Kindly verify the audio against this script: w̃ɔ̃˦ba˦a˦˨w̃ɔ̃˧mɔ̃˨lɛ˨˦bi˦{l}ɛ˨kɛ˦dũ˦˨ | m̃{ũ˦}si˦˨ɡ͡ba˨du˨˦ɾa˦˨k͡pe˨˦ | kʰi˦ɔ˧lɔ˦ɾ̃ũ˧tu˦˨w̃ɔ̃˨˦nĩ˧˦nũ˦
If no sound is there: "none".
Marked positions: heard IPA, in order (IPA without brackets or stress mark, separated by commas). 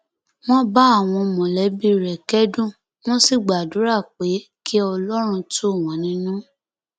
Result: ɾ, ɔ̃˦